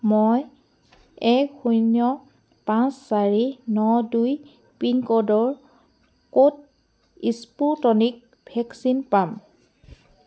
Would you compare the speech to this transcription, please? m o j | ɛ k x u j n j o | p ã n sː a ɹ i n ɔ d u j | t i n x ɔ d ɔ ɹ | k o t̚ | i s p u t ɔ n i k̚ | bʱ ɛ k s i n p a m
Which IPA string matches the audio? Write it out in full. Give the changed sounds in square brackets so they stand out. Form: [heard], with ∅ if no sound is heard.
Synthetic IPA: m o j | ɛ k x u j n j [ɔ] | p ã n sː a ɹ i n ɔ d u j | [p] i n [k] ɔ d ɔ ɹ | k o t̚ | i s p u t ɔ n i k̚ | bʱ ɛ k s i n p a m